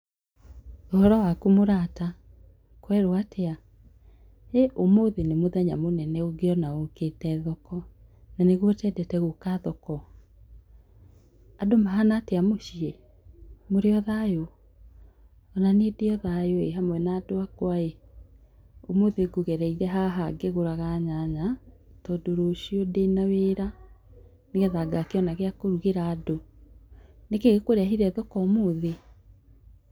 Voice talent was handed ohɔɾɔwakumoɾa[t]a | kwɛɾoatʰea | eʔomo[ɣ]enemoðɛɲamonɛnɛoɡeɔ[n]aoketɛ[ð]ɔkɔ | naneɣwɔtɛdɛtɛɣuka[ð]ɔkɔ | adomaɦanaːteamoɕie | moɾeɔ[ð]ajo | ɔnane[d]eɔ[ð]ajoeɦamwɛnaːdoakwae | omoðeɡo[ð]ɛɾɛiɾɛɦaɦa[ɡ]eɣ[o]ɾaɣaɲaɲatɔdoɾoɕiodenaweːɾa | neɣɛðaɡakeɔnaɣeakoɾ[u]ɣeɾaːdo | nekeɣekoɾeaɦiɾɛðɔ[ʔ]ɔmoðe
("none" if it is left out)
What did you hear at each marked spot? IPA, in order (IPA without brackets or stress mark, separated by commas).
t, ð, n, ð, ð, ð, d, ð, ɣ, ɡ, o, u, k